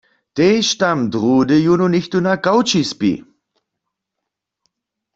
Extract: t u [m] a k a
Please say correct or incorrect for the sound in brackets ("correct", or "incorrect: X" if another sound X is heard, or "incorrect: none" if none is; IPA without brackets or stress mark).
incorrect: n